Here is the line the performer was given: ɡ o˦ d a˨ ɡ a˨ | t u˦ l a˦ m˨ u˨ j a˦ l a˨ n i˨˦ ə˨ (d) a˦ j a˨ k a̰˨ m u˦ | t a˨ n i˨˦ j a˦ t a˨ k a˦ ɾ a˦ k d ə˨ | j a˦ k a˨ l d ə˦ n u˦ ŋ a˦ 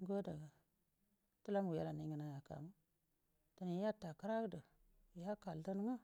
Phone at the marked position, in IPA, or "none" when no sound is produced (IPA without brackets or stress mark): n